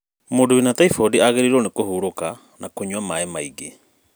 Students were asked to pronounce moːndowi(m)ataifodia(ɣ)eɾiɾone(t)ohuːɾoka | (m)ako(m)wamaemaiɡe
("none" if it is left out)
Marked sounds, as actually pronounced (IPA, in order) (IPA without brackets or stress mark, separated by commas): n, ɣ, k, n, ɲ